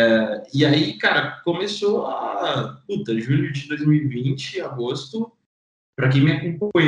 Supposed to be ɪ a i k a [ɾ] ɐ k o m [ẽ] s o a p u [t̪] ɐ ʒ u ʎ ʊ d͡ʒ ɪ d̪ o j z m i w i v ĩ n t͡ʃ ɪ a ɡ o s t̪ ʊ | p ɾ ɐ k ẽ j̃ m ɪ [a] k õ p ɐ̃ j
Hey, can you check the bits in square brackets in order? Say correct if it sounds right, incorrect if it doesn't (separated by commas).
correct, incorrect, correct, correct